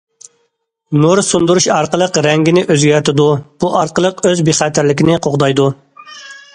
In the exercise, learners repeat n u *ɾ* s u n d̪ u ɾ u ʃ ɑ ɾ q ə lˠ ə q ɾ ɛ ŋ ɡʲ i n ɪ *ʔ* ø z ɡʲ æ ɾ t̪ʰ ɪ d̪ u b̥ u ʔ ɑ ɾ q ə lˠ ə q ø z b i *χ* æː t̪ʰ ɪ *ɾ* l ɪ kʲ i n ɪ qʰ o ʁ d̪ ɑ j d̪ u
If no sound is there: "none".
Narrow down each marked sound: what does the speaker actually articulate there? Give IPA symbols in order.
ɾ, ʔ, χ, ɾ

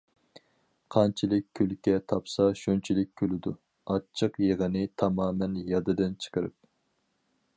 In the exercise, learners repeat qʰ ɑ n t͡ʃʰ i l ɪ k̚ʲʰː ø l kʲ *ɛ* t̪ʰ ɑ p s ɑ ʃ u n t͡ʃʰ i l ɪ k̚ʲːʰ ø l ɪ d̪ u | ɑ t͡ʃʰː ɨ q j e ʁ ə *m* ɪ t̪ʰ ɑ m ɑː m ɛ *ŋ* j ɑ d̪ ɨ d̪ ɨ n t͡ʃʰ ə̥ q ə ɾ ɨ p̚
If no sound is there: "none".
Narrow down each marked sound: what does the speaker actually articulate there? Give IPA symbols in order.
ɛ, n, n

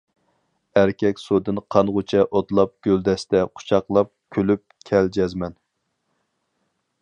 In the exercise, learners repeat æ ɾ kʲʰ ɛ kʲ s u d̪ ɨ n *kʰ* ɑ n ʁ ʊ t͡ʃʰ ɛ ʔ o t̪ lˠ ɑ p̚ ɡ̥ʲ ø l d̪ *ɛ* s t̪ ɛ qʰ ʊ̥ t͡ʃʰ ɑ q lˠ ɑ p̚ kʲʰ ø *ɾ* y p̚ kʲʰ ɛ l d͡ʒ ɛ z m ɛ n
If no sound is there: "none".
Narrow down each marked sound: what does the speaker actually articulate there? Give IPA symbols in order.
qʰ, ɛ, l

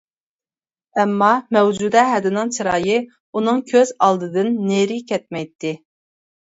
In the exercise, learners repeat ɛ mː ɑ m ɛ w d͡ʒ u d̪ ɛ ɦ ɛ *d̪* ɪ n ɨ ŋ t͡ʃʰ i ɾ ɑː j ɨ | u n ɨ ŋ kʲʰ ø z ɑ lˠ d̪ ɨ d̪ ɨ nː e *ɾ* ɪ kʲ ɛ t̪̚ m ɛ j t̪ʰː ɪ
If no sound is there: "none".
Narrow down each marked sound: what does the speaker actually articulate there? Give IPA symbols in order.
d̪, ɾ

